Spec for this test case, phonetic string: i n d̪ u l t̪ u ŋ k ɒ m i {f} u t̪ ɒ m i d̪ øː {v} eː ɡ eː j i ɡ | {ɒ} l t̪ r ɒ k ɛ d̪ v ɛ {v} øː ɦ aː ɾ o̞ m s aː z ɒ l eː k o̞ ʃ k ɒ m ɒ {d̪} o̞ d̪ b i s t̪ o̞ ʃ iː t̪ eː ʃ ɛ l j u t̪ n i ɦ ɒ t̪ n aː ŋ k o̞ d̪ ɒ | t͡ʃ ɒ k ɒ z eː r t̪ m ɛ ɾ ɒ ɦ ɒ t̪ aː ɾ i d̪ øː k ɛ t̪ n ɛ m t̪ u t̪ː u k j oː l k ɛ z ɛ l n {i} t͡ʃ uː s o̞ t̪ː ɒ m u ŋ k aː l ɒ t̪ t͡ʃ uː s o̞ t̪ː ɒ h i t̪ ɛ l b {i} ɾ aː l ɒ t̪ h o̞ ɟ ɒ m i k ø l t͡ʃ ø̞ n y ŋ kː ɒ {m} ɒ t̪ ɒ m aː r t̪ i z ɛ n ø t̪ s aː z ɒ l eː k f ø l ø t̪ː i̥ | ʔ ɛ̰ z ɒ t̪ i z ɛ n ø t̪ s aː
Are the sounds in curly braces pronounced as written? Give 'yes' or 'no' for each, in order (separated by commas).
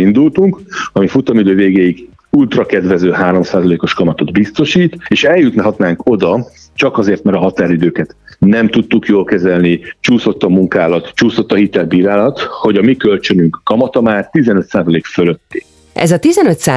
yes, yes, no, no, no, yes, no, yes